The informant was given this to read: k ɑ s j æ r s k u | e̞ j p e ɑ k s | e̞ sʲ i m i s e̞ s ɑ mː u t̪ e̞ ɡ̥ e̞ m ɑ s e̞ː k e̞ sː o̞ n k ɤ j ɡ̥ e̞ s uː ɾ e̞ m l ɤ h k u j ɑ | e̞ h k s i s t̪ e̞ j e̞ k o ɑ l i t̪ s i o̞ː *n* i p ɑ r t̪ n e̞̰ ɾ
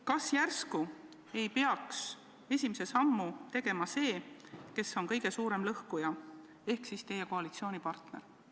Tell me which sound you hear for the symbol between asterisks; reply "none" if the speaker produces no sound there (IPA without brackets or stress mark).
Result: n